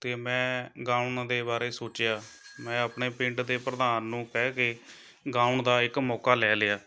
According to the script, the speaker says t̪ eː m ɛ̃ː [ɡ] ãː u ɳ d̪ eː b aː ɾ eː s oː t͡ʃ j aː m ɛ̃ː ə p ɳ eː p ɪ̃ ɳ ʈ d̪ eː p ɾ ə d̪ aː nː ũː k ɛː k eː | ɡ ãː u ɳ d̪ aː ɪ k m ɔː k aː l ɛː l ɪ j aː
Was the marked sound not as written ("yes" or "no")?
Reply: no